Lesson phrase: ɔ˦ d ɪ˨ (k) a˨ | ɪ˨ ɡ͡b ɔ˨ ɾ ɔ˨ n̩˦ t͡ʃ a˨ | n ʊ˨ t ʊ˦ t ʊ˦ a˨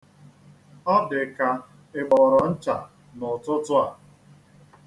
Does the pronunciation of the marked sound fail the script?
no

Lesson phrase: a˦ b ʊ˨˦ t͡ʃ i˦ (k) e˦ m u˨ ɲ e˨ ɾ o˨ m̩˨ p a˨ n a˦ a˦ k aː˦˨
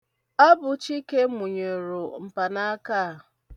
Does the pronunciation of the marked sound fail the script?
no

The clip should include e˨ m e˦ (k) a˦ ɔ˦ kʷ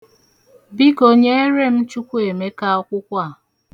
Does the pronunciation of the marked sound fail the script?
no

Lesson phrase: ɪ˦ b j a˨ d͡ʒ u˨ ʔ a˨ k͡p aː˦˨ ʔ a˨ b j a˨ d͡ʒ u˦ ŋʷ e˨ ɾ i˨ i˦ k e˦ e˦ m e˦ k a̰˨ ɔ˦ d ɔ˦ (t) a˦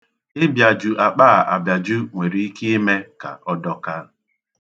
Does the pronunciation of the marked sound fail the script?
yes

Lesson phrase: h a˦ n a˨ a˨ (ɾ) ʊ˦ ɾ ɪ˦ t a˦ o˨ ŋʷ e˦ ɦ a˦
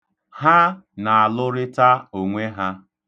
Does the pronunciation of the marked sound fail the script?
yes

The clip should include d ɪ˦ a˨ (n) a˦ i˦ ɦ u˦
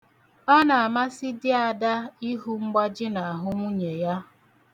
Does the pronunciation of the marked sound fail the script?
yes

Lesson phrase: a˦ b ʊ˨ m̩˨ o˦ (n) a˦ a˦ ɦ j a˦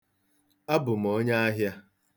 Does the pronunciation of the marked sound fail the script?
yes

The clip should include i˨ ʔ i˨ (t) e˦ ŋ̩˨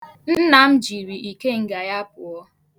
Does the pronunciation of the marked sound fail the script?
yes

